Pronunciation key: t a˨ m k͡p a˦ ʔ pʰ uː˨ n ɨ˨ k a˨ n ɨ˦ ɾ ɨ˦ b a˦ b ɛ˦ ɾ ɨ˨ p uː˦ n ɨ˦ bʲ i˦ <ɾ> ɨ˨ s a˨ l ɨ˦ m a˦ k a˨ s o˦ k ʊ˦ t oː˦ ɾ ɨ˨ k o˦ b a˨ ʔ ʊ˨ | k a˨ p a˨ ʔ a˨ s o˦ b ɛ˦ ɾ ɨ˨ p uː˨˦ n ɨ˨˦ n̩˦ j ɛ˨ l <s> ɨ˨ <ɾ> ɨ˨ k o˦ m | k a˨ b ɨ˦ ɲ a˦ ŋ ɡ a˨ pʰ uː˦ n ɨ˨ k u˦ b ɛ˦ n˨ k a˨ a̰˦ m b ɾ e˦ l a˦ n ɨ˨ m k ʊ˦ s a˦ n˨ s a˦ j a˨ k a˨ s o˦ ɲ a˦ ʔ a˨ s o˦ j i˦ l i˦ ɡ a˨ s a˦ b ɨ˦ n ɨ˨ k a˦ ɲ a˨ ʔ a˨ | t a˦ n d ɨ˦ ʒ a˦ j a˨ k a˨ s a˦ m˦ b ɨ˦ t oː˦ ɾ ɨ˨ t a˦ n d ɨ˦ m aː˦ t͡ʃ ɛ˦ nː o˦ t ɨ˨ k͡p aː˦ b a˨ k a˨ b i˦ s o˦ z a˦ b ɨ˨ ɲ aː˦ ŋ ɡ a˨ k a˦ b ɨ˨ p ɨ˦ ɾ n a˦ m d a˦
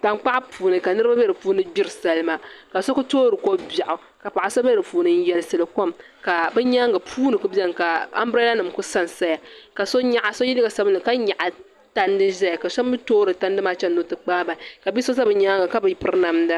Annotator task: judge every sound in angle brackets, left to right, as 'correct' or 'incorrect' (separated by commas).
correct, correct, incorrect